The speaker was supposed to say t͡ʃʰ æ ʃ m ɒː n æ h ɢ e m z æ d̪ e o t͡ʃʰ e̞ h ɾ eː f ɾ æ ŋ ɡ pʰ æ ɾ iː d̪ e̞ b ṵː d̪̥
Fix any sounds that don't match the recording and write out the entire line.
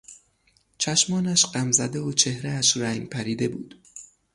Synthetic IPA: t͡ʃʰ æ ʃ m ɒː n æ ʃ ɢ æ m z æ d̪ e o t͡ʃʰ e̞ h ɾ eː ʃ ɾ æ ŋ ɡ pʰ æ ɾ iː d̪ e̞ b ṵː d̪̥

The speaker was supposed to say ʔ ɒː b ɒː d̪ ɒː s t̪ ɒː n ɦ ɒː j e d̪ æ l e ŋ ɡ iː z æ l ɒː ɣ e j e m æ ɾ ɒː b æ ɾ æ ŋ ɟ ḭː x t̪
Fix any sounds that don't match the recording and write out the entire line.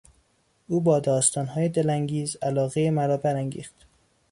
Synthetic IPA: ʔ uː b ɒː d̪ ɒː s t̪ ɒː n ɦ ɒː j e d̪ e l æ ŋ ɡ iː z æ l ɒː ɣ e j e m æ ɾ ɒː b æ ɾ æ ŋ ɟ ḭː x t̪

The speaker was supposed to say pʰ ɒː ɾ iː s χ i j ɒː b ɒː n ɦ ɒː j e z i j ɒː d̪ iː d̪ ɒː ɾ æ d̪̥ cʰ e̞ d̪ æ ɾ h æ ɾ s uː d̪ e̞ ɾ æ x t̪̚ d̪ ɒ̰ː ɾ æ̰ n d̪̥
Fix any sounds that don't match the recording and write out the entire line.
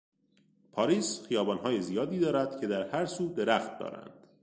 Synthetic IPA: pʰ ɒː ɾ iː s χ i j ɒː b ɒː n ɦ ɒː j e z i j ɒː d̪ iː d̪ ɒː ɾ æ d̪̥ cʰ e̞ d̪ æ ɾ h æ ɾ s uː d̪ e̞ ɾ æ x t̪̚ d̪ ɒ̰ː ɾ æ̰ n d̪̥

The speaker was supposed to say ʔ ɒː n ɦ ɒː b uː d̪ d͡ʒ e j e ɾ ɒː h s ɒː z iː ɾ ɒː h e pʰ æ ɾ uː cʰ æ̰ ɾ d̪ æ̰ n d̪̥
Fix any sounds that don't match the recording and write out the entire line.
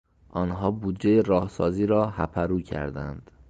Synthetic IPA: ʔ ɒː n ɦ ɒː b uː d̪ d͡ʒ e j e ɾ ɒː h s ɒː z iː ɾ ɒː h æ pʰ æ ɾ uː cʰ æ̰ ɾ d̪ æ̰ n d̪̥

